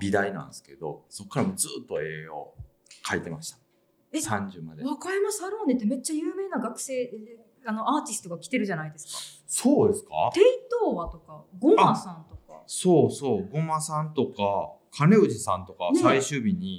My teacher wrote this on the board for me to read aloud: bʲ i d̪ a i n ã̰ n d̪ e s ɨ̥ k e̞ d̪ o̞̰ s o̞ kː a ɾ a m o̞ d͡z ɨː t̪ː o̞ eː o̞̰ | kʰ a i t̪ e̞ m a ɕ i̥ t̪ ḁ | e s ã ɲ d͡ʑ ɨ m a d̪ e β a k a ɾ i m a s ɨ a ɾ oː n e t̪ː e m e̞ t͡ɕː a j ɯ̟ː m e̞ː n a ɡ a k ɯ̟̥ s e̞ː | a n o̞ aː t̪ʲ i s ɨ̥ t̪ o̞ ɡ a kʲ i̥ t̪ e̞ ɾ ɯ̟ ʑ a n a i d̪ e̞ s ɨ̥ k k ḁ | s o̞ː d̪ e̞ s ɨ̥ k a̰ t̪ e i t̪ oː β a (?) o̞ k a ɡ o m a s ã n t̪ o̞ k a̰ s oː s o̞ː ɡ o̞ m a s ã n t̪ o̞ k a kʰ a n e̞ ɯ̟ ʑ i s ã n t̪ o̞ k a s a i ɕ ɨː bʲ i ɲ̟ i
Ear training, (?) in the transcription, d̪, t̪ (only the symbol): t̪